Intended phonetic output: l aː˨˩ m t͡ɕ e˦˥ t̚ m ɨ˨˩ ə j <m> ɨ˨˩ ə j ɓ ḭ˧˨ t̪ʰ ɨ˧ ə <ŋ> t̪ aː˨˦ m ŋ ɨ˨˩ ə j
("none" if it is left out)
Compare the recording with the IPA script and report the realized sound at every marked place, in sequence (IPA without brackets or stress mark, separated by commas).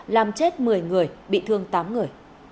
ŋ, ŋ